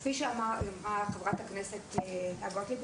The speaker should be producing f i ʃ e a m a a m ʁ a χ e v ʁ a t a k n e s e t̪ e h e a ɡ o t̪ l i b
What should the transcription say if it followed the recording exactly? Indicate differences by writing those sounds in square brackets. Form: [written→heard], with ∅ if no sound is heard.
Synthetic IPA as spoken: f i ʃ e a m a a m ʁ a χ e v ʁ a t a k n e s e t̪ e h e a ɡ o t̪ l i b

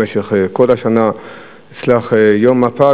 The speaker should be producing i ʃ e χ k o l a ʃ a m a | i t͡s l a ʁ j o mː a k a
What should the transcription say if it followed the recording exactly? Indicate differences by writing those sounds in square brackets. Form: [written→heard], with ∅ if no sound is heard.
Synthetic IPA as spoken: [i→e] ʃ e χ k o l a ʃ a [m→n] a | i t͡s l a [ʁ→χ] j o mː a [k→p] a

